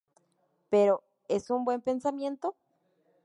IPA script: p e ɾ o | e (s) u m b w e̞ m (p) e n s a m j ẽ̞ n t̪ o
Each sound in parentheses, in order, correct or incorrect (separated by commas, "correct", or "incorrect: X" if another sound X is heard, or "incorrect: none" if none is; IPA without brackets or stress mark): correct, correct